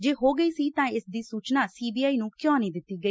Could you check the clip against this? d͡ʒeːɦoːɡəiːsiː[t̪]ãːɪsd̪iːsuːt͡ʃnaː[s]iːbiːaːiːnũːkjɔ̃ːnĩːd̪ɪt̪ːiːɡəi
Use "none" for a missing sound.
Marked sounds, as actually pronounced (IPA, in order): t̪, s

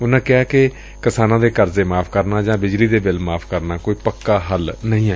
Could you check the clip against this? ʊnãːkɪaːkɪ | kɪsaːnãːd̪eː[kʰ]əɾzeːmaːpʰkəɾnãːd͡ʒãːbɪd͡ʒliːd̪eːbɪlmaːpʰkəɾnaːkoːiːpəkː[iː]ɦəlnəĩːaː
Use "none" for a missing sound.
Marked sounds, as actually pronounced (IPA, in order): k, aː

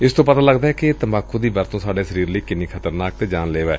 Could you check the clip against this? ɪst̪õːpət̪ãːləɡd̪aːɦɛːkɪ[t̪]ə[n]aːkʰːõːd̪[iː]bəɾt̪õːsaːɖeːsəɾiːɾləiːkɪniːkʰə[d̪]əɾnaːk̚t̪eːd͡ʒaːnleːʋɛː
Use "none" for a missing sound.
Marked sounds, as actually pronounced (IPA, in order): t̪, m, iː, t̪

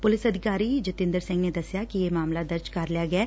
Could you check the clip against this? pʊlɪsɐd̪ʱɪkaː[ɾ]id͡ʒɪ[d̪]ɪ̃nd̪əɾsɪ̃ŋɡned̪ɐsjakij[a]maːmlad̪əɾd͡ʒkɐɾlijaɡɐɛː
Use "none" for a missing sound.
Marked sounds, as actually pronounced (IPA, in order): ɾ, t̪, e

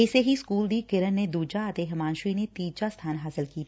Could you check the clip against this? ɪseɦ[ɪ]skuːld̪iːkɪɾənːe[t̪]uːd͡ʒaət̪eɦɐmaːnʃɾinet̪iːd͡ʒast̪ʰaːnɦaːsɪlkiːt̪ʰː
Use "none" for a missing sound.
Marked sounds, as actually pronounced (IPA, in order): i, d̪

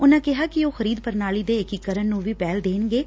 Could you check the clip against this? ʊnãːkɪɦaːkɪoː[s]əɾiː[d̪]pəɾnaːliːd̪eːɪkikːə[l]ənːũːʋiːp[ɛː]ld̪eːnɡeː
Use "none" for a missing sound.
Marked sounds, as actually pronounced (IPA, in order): x, d̪, ɾ, ɛː

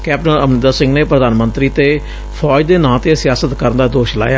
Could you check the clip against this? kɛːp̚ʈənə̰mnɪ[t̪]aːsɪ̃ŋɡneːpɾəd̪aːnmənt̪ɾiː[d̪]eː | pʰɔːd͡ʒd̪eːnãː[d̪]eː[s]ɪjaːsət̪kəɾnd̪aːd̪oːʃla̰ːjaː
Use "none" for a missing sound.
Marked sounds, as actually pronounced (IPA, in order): d̪, t̪, t̪, s

